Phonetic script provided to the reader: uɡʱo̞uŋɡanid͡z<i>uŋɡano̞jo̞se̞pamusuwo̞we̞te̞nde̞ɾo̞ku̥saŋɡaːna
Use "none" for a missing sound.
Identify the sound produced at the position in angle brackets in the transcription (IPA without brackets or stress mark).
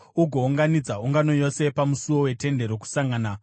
a